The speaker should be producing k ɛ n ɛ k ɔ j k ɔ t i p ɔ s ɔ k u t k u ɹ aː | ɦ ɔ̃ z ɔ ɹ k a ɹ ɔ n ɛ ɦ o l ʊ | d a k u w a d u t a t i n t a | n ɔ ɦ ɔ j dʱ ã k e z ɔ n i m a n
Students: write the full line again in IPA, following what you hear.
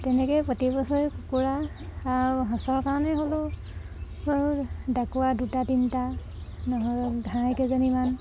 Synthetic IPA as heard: t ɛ n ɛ k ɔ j p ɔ t i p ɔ s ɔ k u k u ɹ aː | ɦ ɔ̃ s ɔ ɹ k a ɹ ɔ n ɛ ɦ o l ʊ | d a k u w a d u t a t i n t a | n ɔ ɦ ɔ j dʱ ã k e z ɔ n i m a n